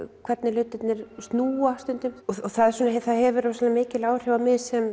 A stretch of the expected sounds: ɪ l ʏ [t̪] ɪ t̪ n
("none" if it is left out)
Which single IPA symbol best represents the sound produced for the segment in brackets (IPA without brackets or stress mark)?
t̪